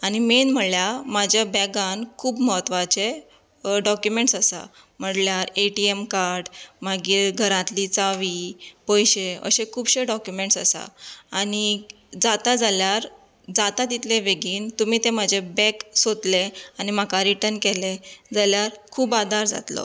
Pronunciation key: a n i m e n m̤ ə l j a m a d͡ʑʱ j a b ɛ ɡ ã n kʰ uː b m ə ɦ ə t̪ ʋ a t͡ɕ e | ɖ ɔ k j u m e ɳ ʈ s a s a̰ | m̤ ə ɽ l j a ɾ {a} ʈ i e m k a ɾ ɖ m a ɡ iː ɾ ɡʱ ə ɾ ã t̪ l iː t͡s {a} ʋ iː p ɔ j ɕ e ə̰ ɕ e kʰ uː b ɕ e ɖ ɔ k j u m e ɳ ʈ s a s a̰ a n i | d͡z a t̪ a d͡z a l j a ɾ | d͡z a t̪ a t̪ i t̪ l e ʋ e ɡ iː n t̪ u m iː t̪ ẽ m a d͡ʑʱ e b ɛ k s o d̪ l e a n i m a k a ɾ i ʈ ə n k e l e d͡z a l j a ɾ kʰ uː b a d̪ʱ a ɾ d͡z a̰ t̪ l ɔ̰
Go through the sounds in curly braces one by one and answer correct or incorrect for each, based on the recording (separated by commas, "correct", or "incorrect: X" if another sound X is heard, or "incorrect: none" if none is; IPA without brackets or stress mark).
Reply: incorrect: e, correct